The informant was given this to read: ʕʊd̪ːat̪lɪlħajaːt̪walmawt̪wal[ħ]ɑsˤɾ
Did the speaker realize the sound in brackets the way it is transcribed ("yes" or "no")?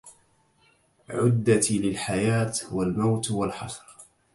yes